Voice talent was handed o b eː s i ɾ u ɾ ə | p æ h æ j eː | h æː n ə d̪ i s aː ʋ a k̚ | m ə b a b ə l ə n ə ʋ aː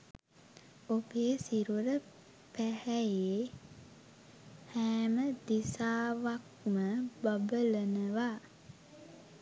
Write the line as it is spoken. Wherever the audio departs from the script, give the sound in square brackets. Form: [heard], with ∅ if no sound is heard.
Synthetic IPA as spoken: o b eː s i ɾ u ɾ ə | p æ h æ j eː | h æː [m] ə d̪ i s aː ʋ a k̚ | m ə b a b ə l ə n ə ʋ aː